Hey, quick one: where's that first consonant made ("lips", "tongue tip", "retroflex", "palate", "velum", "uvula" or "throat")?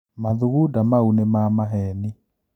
lips